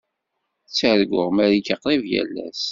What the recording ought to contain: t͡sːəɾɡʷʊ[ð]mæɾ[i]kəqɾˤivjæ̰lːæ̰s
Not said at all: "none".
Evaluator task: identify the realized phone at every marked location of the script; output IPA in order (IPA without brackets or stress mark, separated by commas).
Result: ʁ, i